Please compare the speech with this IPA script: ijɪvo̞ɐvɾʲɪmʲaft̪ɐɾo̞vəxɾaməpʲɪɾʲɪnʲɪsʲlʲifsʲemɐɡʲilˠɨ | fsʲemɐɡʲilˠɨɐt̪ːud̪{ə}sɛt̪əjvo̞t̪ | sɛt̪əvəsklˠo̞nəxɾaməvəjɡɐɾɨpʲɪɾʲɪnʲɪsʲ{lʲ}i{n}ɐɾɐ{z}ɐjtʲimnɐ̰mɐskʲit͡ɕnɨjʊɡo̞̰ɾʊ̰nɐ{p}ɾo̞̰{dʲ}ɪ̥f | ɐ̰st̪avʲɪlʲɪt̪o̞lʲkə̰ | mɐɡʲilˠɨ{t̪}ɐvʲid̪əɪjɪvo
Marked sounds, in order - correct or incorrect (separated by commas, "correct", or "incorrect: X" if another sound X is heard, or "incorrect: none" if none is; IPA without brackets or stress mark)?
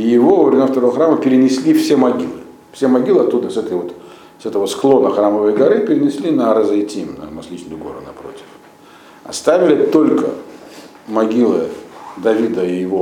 correct, correct, correct, correct, correct, incorrect: tʲ, incorrect: d̪